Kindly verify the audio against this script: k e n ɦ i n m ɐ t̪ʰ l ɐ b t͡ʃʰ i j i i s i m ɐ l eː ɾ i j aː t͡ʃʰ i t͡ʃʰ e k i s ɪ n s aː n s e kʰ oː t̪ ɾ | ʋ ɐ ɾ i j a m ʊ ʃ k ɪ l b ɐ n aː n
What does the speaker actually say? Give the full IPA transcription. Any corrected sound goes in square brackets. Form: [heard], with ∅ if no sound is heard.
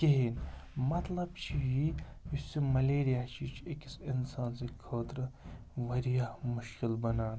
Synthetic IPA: k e [∅] ɦ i n m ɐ [t̪] l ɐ b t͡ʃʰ i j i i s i m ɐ l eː ɾ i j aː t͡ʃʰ i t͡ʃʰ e k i s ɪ n s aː n s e kʰ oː t̪ ɾ | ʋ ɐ ɾ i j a m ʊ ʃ k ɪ l b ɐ n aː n